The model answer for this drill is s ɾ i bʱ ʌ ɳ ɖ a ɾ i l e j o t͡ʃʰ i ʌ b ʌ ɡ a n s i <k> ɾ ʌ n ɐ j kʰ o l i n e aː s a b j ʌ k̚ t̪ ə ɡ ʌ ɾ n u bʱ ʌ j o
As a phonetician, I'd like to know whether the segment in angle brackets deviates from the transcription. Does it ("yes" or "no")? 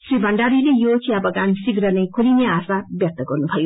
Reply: yes